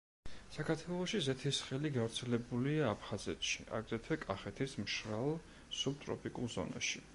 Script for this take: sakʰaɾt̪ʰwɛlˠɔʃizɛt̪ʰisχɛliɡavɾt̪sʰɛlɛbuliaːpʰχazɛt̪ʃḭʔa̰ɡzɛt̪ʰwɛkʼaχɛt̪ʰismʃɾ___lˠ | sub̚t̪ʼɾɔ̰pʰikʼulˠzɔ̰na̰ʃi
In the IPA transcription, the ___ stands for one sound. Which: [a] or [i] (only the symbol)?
a